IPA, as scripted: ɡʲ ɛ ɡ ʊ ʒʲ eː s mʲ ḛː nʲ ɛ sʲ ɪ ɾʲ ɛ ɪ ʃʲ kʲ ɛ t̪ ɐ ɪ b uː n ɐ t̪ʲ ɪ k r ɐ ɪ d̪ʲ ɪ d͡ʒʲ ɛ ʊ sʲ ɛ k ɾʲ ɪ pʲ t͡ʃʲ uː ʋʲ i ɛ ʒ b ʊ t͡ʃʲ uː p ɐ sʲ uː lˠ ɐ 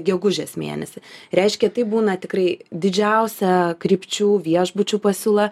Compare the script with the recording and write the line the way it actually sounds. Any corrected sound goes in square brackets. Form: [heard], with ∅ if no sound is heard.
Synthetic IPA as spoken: ɡʲ ɛ ɡ ʊ ʒʲ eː s mʲ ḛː nʲ ɛ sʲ ɪ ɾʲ ɛ ɪ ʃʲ kʲ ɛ t̪ ɐ ɪ b uː n ɐ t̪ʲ ɪ k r ɐ ɪ d̪ʲ ɪ d͡ʒʲ ɛ ʊ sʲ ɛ k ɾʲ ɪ pʲ t͡ʃʲ uː ʋʲ i ɛ ʒ b ʊ t͡ʃʲ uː p ɐ sʲ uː lˠ ɐ